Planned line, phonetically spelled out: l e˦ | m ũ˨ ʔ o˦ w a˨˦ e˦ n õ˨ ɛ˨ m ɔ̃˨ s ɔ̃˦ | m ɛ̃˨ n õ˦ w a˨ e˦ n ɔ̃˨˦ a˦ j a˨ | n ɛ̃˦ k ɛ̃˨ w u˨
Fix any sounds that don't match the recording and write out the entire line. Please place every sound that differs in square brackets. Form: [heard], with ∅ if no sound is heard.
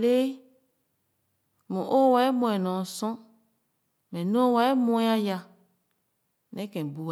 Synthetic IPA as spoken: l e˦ | m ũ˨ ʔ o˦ w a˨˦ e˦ [m] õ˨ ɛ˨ [n] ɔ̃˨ s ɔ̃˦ | m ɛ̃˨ n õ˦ w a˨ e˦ [m] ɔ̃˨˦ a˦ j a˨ | n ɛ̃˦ k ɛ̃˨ [b] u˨